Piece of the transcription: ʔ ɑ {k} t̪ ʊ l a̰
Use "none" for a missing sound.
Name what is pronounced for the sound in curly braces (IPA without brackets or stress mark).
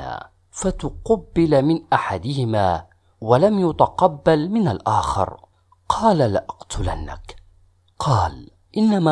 q